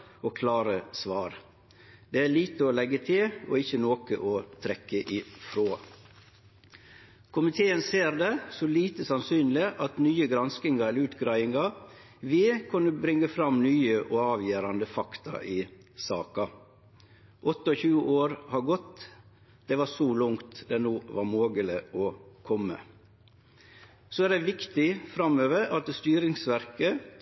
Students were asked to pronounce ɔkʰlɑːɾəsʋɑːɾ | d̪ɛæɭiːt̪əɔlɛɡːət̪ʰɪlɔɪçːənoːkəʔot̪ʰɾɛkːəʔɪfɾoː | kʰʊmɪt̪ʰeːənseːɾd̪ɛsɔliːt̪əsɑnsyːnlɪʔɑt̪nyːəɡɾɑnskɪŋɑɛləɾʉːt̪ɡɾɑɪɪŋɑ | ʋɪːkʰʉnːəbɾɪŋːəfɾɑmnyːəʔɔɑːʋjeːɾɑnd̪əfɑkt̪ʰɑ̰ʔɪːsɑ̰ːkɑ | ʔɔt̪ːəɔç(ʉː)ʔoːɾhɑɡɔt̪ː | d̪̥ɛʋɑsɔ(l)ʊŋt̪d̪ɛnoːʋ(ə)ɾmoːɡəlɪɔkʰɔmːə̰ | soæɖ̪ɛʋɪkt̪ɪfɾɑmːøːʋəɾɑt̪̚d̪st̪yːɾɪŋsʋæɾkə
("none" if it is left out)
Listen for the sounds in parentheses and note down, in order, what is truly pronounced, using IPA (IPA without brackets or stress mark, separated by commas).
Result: ʉː, l, ɑ